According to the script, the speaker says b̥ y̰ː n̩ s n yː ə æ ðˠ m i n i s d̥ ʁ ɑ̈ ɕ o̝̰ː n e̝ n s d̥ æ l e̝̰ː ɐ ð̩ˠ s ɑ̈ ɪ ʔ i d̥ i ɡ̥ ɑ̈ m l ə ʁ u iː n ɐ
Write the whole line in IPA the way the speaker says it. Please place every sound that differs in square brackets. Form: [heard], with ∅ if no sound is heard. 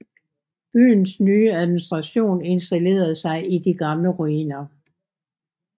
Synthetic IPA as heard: b̥ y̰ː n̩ s n yː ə æ ðˠ m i n i s d̥ ʁ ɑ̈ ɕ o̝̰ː n e̝ n s d̥ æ l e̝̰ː ɐ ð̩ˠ s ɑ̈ ɪ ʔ i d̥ i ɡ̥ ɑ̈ m l ə ʁ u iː n ɐ